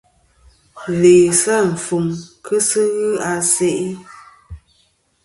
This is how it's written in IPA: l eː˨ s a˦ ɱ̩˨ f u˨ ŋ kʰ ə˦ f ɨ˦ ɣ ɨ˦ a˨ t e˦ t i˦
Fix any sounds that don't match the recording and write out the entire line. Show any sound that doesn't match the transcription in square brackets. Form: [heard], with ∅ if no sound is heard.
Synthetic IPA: l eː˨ s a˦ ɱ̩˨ f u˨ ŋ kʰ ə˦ [s] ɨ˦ ɣ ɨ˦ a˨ [s] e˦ [ʔ] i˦